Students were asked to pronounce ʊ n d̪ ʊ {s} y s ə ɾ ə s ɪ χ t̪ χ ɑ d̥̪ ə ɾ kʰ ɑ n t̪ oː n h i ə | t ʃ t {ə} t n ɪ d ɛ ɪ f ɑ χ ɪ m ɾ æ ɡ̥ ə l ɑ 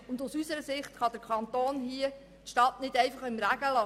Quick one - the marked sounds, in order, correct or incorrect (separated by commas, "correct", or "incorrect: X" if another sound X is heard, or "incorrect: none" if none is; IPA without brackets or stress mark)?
correct, incorrect: ɑ